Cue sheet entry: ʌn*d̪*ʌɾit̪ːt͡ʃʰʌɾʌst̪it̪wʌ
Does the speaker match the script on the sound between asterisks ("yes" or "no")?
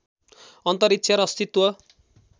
no